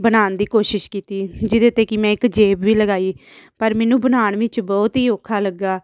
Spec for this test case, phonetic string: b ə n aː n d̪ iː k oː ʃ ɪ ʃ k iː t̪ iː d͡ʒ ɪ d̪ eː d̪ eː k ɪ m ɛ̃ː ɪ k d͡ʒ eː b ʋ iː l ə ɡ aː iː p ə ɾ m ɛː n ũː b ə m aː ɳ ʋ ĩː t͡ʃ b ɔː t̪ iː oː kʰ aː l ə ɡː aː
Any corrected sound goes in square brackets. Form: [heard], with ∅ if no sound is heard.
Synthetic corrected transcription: b ə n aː n d̪ iː k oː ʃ ɪ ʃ k iː t̪ iː d͡ʒ ɪ d̪ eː [t̪] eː k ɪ m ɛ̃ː ɪ k d͡ʒ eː b ʋ iː l ə ɡ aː iː p ə ɾ m ɛː n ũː b ə [n] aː ɳ ʋ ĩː t͡ʃ b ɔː t̪ iː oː kʰ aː l ə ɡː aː